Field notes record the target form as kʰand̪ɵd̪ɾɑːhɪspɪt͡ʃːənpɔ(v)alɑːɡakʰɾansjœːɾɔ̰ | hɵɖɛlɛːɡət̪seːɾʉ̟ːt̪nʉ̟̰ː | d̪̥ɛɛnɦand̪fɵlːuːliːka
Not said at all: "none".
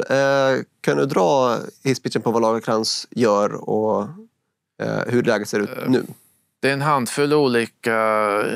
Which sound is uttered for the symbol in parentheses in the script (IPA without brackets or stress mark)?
v